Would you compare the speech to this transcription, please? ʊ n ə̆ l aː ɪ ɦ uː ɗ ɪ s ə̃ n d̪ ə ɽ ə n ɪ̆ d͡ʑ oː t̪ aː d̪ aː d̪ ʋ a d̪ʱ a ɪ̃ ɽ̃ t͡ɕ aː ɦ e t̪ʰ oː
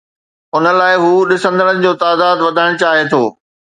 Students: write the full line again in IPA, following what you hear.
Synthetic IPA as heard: ʊ n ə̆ l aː ɪ ɦ uː ɗ ɪ s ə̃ n d̪ ə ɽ ə n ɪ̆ d͡ʑ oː t̪ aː d̪ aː d̪ ʋ ɐ d̪ʱ a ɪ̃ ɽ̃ t͡ɕ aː ɦ e t̪ʰ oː